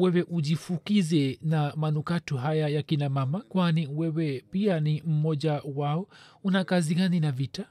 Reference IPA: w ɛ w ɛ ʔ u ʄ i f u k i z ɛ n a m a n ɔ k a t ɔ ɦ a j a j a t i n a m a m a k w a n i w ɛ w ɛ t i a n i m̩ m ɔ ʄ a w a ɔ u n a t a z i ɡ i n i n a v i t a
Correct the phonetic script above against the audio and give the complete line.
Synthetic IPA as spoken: w ɛ w ɛ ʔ u ʄ i f u k i z ɛ n a m a n u k a t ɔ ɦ a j a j a k i n a m a m a k w a n i w ɛ w ɛ p i a n i m̩ m ɔ ʄ a w a ɔ u n a k a z i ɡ a n i n a v i t a